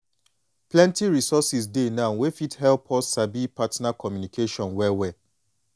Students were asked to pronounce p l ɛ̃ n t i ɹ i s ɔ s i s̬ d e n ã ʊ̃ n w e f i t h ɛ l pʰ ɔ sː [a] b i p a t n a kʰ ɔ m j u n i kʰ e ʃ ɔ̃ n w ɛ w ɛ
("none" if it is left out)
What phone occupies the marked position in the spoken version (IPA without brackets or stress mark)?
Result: a